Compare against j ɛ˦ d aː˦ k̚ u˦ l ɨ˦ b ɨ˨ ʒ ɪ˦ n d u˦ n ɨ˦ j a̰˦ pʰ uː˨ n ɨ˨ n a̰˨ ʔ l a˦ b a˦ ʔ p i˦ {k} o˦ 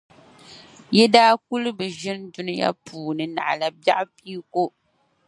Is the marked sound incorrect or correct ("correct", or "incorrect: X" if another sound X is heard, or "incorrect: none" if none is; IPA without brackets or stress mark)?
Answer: correct